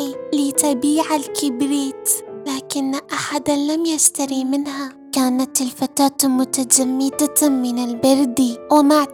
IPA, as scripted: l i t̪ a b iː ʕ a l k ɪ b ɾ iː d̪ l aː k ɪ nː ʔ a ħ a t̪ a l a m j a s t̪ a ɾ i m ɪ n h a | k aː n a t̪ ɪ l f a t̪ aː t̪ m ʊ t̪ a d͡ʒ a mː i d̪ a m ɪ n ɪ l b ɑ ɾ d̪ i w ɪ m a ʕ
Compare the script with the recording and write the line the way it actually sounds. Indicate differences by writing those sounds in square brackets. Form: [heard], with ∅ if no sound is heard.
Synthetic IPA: l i t̪ a b iː ʕ a l k ɪ b ɾ iː [t̪] l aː k ɪ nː ʔ a ħ a [d̪] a l a m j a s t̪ a ɾ i m ɪ n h a | k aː n a t̪ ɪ l f a t̪ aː t̪ m ʊ t̪ a d͡ʒ a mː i d̪ a m ɪ n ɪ l b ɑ ɾ d̪ i w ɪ m a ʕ